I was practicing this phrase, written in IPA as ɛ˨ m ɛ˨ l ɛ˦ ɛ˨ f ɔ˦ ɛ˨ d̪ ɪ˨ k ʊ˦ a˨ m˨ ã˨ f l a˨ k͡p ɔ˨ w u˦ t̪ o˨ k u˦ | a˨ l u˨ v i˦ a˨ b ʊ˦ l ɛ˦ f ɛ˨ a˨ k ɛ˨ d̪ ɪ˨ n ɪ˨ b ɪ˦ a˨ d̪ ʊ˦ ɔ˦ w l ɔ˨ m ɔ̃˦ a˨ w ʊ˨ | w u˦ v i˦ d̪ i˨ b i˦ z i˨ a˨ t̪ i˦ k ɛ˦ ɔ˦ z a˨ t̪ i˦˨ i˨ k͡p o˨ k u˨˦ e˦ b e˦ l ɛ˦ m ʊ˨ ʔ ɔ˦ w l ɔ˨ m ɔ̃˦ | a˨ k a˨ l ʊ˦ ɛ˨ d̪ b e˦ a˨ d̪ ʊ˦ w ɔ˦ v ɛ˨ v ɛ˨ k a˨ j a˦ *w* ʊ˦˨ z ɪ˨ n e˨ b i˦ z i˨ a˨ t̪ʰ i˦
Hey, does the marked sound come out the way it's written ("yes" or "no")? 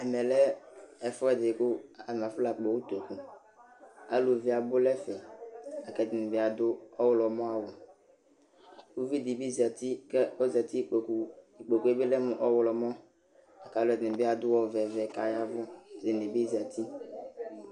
no